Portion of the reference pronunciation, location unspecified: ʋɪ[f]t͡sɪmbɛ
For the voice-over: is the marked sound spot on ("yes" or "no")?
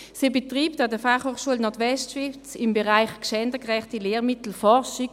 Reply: yes